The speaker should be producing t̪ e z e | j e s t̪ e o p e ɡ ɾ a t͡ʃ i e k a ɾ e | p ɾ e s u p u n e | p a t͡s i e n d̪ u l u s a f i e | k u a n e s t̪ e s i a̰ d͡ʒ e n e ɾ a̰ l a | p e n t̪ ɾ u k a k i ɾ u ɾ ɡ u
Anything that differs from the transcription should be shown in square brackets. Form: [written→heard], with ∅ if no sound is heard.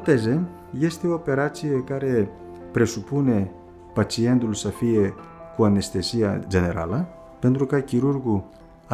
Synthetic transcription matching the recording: t̪ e z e | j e s t̪ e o p e [ɡ→∅] ɾ a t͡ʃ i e k a ɾ e | p ɾ e s u p u n e | p a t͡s i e n d̪ u l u s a f i e | k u a n e s t̪ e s i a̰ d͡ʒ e n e ɾ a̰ l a | p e n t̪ ɾ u k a k i ɾ u ɾ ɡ u